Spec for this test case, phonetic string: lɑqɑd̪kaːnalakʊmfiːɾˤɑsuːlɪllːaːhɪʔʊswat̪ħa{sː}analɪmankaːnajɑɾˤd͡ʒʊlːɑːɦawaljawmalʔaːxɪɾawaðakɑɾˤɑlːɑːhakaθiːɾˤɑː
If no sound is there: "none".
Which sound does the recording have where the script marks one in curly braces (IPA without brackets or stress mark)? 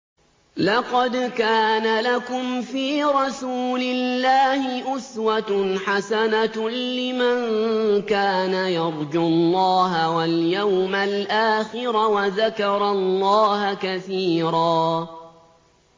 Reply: s